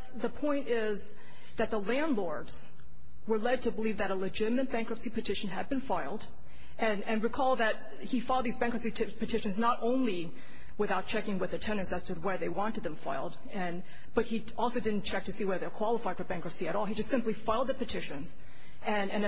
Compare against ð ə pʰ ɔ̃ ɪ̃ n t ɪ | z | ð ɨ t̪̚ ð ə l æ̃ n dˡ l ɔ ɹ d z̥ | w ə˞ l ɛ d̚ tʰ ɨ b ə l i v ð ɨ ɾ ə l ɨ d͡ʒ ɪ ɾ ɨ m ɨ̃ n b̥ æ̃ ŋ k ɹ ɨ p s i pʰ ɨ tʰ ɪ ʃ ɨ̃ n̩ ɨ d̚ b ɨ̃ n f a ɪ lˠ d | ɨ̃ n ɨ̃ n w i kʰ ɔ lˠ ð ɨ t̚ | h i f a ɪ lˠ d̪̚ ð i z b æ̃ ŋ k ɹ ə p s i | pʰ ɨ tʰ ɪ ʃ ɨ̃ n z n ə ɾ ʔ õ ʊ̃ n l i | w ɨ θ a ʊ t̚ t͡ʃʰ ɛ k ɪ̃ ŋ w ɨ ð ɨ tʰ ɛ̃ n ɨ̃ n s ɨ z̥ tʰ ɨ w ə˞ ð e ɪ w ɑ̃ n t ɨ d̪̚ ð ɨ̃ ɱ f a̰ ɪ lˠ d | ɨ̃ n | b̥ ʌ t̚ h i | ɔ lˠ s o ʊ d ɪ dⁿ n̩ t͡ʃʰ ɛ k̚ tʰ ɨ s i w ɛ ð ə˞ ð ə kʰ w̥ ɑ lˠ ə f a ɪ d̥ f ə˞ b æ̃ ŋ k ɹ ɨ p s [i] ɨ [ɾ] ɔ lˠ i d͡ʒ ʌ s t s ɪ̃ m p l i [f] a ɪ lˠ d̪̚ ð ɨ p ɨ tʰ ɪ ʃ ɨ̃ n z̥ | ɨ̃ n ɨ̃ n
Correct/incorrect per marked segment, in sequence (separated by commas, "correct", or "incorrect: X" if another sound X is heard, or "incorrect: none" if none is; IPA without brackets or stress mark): correct, correct, correct